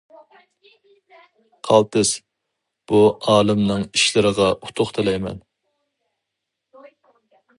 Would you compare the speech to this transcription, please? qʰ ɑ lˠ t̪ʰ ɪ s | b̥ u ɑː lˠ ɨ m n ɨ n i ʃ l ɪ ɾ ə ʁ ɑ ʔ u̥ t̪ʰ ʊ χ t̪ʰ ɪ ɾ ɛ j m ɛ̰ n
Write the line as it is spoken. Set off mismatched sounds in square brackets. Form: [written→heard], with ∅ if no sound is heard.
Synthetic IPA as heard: qʰ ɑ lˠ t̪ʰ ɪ s | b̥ u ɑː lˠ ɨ m n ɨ [n→ŋ] i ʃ l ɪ ɾ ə ʁ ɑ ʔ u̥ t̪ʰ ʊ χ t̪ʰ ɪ [ɾ→l] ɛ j m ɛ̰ n